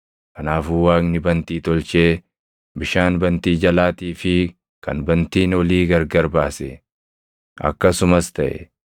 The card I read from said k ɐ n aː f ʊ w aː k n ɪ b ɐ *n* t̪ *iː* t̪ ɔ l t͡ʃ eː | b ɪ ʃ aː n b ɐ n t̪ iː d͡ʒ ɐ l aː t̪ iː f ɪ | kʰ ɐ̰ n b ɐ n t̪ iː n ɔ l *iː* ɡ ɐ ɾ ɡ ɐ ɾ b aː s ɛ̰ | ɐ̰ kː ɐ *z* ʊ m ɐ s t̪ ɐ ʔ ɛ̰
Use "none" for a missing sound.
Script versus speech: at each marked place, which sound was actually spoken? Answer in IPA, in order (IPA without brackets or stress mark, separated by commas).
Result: n, iː, iː, s